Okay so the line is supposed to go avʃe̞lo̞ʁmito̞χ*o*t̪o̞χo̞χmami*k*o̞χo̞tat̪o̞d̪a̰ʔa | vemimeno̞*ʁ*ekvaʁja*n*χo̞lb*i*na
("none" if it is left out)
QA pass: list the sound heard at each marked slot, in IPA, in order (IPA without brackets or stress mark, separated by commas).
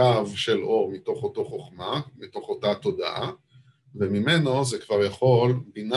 o, t, z, none, i